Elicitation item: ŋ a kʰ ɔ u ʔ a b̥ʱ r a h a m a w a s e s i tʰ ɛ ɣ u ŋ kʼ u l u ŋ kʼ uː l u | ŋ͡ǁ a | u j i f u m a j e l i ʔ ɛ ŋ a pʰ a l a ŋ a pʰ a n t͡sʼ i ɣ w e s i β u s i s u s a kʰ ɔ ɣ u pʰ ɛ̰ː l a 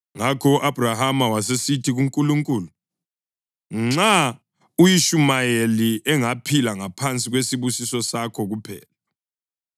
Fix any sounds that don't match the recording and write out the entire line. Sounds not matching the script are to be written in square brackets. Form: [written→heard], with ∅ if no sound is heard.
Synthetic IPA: ŋ a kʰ ɔ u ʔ a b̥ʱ r a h a m a w a s e s i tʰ [ɛ→i] ɣ u ŋ kʼ u l u ŋ kʼ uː l u | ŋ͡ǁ a | u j i [f→ʃ] u m a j e l i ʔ ɛ ŋ a pʰ [a→i] l a ŋ a pʰ a n t͡sʼ i ɣ w e s i β u s i s [u→ɔ] s a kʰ ɔ ɣ u pʰ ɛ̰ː l a